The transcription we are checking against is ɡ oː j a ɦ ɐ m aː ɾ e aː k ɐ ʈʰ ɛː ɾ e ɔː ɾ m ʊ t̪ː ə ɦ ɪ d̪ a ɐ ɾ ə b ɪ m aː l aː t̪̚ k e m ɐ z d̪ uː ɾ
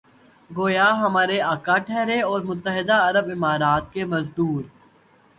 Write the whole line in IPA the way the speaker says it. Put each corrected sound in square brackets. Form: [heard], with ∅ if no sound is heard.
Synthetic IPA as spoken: ɡ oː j a ɦ ɐ m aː ɾ e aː k [a] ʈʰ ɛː ɾ e ɔː ɾ m ʊ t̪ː ə ɦ ɪ d̪ a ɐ ɾ ə b ɪ m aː [ɾ] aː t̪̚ k e m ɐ z d̪ uː ɾ

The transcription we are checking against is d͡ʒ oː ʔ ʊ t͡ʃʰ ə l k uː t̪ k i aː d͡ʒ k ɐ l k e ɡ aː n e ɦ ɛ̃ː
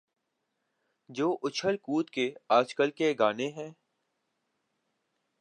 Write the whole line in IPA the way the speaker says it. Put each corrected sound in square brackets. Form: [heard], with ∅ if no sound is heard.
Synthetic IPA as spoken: d͡ʒ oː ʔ ʊ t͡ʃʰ ə l k uː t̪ k [e] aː d͡ʒ k [ə] l k e ɡ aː n e ɦ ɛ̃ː

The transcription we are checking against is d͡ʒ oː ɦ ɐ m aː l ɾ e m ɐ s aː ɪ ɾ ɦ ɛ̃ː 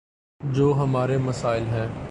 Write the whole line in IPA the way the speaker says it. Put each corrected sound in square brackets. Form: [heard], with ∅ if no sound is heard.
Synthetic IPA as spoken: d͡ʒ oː ɦ ɐ m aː [∅] ɾ e m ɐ s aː ɪ [l] ɦ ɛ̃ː

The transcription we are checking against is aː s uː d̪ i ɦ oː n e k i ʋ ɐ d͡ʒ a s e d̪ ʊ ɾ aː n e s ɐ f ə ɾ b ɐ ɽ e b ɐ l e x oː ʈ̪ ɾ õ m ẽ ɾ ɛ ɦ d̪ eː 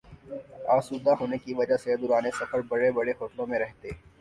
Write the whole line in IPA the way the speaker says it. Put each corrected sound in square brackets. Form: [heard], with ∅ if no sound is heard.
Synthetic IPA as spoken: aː s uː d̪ [a] ɦ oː n e k i ʋ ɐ d͡ʒ a s e d̪ ʊ ɾ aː n e s ɐ f ə ɾ b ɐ ɽ e b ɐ [ɽ] e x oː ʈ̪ [l] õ m ẽ ɾ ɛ ɦ [t̪] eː

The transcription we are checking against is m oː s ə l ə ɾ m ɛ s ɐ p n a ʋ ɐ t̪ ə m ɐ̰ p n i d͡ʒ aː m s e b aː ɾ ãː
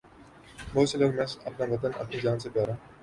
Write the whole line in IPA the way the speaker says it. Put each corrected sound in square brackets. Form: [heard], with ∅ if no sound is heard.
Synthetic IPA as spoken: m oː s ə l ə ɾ m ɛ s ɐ p n a ʋ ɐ t̪ ə [n] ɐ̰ p n i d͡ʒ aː [n] s e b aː ɾ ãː

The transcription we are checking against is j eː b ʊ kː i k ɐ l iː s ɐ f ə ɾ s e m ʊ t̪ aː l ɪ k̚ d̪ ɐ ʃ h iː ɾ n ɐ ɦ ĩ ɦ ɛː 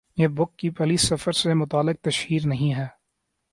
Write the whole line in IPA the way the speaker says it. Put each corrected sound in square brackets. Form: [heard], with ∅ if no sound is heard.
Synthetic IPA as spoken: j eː b ʊ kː i [p] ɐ l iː s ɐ f ə ɾ s e m ʊ t̪ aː l ɪ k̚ [t̪] ɐ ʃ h iː ɾ n ɐ ɦ ĩ ɦ ɛː

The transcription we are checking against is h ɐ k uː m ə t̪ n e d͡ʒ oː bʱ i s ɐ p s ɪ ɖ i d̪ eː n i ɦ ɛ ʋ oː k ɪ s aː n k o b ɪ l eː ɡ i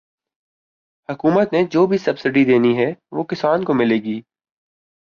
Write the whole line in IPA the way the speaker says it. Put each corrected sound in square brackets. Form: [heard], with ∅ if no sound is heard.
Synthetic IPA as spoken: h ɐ k uː m ə t̪ n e d͡ʒ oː bʱ i s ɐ [b] s ɪ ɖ i d̪ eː n i ɦ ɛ ʋ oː k ɪ s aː n k o [m] ɪ l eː ɡ [iː]

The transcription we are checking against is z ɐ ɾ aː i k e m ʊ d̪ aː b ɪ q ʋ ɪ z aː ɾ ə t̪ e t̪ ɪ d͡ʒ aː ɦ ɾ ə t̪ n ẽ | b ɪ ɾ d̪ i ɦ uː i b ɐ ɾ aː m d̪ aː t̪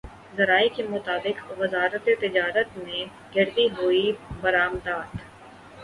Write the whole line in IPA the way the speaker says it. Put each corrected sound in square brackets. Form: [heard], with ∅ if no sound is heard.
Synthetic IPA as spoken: z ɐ ɾ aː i k e m ʊ [t̪] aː b ɪ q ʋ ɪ z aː ɾ ə t̪ e t̪ ɪ d͡ʒ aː [∅] ɾ ə t̪ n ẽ | [ɡ] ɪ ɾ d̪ i ɦ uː i b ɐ ɾ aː m d̪ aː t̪

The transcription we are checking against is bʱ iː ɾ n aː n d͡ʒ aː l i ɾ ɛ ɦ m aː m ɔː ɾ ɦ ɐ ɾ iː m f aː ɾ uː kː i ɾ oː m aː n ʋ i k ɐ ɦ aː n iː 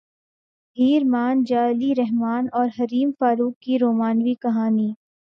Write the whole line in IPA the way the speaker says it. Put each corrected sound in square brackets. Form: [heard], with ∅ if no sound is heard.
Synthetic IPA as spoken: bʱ iː ɾ [m] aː n d͡ʒ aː l i ɾ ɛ ɦ m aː [n] ɔː ɾ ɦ ɐ ɾ iː m f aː ɾ uː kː i ɾ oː m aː n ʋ i k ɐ ɦ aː n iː

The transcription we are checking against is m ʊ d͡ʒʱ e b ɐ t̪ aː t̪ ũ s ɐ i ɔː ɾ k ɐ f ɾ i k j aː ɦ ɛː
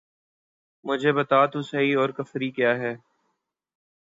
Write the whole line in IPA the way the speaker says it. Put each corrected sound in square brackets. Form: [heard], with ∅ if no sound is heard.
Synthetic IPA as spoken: m ʊ d͡ʒʱ e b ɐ t̪ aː t̪ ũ s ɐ i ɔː ɾ k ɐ f ɾ i k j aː ɦ ɛː

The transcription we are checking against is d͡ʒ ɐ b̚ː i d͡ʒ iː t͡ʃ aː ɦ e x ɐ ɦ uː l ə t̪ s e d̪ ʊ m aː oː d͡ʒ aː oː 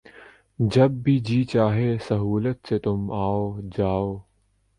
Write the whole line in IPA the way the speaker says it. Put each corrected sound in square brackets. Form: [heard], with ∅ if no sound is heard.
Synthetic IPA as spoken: d͡ʒ ɐ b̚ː i d͡ʒ iː t͡ʃ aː ɦ e [s] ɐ ɦ uː l ə t̪ s e [t̪] ʊ m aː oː d͡ʒ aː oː

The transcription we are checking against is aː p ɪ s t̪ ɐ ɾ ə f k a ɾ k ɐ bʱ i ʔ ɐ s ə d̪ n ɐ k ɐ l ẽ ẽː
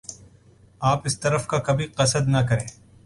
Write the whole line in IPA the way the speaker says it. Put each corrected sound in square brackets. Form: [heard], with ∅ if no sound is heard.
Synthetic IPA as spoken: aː p ɪ s t̪ ɐ ɾ ə f k a [∅] k ɐ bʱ i [q] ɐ s ə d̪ n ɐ k ɐ [ɾ] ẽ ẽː

